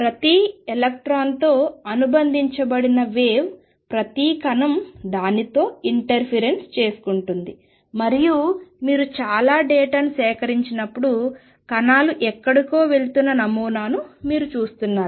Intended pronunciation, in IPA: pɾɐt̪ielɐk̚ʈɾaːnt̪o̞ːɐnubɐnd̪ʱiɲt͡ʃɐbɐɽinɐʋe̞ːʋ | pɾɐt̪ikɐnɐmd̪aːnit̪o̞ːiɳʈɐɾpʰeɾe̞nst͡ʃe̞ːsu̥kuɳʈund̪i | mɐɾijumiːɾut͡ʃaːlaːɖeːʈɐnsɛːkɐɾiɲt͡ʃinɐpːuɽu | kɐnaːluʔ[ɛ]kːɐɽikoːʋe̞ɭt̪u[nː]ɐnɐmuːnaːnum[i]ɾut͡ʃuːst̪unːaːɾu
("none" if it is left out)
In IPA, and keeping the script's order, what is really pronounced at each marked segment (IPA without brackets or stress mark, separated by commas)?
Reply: ɛ, nː, iː